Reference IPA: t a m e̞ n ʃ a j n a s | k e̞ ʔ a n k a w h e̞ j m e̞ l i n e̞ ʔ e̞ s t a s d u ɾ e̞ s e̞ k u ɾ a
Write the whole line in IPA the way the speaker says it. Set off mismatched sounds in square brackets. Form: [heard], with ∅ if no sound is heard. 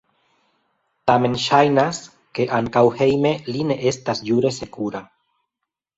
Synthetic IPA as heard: t a m e̞ n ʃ a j n a s | k e̞ ʔ a [ŋ] k a w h e̞ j m e̞ l i n e̞ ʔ e̞ s t a s [d͡ʒ] u ɾ e̞ s e̞ k u ɾ a